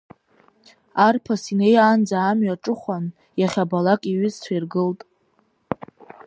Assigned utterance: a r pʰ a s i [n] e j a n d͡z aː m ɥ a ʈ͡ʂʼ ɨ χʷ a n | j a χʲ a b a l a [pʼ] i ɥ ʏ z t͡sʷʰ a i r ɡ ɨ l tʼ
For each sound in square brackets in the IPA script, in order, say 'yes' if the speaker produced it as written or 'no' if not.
yes, no

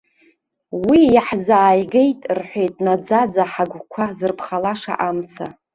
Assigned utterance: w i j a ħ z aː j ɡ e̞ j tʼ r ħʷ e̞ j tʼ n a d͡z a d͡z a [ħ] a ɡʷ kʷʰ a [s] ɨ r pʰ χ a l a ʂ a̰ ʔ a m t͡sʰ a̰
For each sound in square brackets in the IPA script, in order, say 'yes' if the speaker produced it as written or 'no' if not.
yes, no

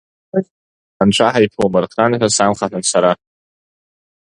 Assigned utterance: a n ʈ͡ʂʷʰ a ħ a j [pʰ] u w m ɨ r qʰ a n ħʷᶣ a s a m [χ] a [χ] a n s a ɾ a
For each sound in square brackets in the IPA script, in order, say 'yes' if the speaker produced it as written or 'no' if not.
yes, yes, no

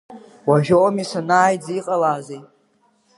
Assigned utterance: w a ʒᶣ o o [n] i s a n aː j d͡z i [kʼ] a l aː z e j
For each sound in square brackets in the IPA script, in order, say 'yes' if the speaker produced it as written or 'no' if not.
no, no

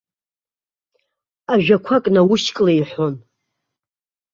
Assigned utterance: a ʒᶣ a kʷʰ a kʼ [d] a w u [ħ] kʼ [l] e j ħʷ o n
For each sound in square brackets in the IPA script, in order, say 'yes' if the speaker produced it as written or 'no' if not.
no, no, yes

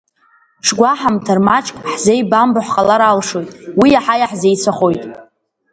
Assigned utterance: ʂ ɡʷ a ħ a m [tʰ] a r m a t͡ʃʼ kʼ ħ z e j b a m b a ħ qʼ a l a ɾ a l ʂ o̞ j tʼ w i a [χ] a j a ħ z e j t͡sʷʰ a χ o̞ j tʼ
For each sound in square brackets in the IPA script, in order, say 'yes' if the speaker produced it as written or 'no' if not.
yes, no

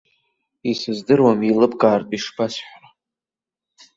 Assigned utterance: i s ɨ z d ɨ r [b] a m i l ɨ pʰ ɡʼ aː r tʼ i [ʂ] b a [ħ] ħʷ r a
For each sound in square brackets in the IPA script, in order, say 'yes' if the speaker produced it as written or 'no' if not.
no, yes, no

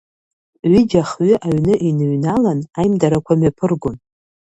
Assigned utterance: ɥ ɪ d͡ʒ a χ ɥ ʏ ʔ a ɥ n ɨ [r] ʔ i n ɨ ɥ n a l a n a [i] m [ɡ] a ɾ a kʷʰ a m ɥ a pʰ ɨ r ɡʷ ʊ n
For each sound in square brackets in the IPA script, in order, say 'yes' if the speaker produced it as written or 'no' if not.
no, no, no

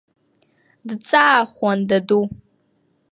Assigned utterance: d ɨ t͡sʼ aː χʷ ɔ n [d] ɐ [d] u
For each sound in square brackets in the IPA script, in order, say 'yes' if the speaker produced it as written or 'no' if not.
yes, yes

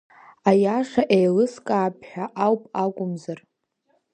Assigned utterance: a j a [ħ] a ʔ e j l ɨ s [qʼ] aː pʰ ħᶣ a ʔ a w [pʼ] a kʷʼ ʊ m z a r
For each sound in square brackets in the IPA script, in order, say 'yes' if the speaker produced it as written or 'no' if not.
no, no, yes

